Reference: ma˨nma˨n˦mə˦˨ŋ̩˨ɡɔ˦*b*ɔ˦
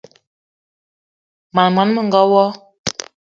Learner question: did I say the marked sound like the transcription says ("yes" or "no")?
no